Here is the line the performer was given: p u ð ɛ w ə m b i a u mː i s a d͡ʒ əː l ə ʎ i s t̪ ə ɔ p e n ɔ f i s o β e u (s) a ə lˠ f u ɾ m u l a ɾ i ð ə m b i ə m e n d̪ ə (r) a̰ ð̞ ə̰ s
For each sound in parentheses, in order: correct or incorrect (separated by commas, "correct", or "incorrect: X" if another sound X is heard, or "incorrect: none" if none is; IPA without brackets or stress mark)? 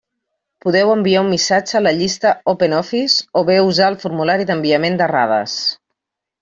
incorrect: z, correct